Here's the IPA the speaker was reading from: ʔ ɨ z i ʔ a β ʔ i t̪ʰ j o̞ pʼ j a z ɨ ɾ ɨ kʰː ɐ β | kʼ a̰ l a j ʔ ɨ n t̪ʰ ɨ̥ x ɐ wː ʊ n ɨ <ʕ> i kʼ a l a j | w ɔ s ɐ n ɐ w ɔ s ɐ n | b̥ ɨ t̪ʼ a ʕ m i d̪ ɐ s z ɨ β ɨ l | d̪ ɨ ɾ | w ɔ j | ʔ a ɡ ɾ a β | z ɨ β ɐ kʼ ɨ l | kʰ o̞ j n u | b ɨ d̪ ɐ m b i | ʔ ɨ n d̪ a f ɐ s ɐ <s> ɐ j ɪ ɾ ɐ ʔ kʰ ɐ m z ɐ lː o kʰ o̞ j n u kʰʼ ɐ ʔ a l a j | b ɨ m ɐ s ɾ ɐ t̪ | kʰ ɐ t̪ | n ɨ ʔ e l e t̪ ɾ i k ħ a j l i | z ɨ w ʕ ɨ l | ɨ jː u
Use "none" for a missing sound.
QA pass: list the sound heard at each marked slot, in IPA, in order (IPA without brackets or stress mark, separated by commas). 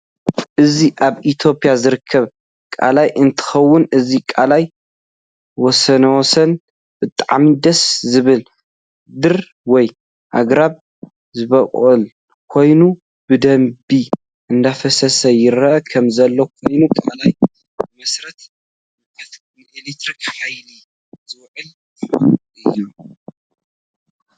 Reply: z, s